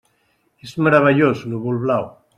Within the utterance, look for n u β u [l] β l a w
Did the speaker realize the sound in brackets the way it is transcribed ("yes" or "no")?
yes